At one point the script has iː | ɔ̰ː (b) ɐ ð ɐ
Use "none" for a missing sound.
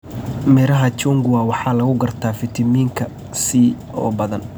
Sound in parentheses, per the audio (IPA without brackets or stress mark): b